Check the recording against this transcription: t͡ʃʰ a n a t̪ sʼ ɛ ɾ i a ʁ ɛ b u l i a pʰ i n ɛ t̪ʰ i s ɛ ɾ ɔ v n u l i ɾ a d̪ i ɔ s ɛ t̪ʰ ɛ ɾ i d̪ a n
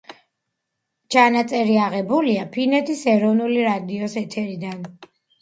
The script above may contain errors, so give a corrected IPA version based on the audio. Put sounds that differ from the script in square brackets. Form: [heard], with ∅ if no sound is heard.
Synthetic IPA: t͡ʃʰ a n a t̪ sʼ ɛ ɾ i a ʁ ɛ b u l i a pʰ i n ɛ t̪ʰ i s ɛ ɾ ɔ v n u l i ɾ a d̪ i ɔ s ɛ t̪ʰ ɛ ɾ i d̪ a n